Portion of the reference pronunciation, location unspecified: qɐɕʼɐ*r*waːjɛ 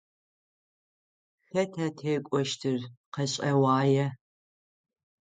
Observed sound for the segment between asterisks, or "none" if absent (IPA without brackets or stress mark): none